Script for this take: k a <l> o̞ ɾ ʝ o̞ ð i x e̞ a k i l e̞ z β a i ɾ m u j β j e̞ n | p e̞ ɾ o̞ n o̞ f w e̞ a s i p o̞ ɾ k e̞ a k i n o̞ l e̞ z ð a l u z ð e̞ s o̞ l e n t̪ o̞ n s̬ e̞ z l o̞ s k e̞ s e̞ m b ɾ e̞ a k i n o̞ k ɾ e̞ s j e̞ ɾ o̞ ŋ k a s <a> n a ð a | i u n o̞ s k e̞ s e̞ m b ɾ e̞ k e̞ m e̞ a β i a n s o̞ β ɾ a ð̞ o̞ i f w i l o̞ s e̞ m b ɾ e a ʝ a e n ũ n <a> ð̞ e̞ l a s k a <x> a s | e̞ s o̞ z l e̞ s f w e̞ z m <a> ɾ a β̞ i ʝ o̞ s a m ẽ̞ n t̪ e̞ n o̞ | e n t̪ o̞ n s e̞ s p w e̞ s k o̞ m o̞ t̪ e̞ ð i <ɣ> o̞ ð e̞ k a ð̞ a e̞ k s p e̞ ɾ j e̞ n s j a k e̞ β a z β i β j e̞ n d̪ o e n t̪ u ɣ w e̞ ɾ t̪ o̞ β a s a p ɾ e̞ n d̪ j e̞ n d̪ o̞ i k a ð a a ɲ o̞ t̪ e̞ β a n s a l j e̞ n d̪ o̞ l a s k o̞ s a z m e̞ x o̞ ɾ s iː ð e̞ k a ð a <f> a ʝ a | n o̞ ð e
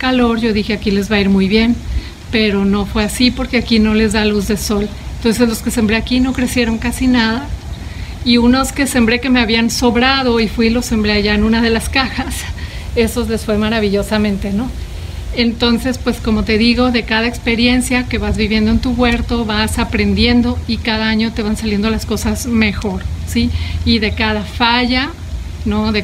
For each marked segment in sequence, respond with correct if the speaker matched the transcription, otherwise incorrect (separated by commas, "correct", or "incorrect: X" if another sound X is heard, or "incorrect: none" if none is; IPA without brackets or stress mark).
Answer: correct, incorrect: i, correct, correct, correct, correct, correct